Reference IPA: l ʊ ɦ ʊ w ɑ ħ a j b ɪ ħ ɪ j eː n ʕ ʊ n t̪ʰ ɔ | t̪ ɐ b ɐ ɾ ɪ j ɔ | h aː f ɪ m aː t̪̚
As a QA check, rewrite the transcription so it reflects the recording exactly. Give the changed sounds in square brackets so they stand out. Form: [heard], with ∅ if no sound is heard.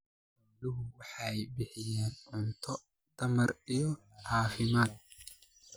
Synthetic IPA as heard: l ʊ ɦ ʊ w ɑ ħ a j b ɪ ħ ɪ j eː n ʕ ʊ n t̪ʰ ɔ | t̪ ɐ [m] ɐ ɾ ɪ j ɔ | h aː f ɪ m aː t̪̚